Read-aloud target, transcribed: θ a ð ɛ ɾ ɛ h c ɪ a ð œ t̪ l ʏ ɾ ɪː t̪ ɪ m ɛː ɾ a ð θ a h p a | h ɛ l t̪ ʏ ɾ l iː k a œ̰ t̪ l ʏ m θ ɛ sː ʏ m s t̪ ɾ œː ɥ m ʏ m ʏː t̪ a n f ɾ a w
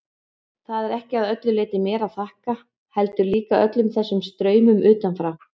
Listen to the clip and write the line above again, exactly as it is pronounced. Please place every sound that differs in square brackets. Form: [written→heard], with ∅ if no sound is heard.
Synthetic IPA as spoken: θ a ð ɛ ɾ ɛ h c ɪ a ð œ t̪ l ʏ [ɾ→l] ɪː t̪ ɪ m ɛː ɾ a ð θ a h [p→k] a | h ɛ l t̪ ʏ ɾ l iː k a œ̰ t̪ l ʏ m θ ɛ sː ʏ m s t̪ ɾ œː ɥ m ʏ m ʏː t̪ a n f ɾ a w

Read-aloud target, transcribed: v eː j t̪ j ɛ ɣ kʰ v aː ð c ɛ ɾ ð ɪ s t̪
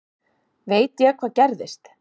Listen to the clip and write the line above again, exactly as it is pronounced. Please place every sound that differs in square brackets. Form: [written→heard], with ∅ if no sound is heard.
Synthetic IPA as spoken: v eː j t̪ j ɛ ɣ kʰ v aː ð c ɛ ɾ ð ɪ s t̪

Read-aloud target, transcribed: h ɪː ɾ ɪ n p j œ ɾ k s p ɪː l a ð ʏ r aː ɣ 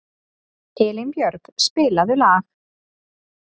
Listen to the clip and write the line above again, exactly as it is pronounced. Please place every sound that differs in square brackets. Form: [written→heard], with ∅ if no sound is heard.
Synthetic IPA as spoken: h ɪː [ɾ→l] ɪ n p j œ ɾ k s p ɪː l a ð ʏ [r→l] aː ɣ

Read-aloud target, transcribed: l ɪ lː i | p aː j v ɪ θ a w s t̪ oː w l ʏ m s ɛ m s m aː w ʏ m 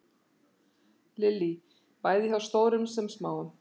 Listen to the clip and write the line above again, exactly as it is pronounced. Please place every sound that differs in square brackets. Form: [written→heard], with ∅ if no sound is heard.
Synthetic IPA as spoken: l ɪ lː i | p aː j [v→ð] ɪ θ a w s t̪ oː w [l→ɾ] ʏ m s ɛ m s m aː w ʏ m

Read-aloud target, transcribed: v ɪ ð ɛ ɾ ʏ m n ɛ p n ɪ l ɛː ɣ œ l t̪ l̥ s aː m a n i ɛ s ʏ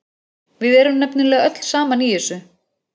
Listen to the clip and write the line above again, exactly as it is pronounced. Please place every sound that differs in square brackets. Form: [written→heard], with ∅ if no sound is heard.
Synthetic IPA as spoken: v ɪ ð ɛ ɾ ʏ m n ɛ p n ɪ l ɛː ɣ œ [l→∅] t̪ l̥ s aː m a n i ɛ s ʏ

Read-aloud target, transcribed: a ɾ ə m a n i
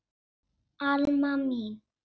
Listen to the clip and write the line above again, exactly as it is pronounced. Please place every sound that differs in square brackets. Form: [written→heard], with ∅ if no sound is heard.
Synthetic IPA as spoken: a [ɾ→l] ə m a [n→m] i

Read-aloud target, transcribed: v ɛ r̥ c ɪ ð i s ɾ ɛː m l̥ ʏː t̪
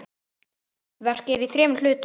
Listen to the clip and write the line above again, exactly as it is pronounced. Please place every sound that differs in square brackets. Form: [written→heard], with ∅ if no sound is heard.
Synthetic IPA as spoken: v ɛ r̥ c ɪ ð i [s→θ] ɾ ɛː m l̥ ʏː t̪

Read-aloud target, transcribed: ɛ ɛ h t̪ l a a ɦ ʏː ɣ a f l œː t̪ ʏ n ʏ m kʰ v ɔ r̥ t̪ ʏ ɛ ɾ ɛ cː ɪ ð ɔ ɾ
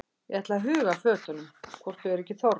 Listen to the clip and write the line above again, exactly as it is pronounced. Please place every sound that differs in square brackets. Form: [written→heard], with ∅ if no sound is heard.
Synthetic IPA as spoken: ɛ ɛ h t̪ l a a ɦ ʏː ɣ a f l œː t̪ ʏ n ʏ m kʰ v ɔ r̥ t̪ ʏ ɛ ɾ ɛ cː ɪ [ð→θ] ɔ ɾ

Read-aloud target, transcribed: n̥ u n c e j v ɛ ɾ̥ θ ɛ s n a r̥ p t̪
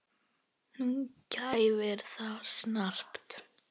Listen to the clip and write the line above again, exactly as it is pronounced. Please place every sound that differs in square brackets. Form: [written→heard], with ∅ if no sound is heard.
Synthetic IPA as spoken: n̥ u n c [e→a] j v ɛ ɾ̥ θ [ɛ→a] s n a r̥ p t̪

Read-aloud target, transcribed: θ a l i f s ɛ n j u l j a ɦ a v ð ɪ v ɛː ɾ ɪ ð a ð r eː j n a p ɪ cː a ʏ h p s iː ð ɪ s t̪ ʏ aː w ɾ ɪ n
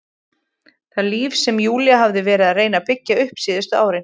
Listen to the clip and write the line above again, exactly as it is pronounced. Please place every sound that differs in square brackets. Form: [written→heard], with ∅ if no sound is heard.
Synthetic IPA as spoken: θ a l [i→iː] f s ɛ [n→m] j [u→uː] l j a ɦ a v ð ɪ v ɛː ɾ ɪ ð a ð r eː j n a p ɪ cː a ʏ h p s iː ð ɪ s t̪ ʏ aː w ɾ ɪ n

